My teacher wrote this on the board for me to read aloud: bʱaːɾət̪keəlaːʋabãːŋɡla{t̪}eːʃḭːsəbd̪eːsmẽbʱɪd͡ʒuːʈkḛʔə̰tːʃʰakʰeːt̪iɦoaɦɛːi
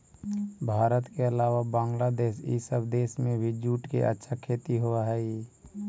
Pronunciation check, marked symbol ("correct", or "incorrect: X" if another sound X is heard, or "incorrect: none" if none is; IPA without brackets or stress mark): incorrect: d̪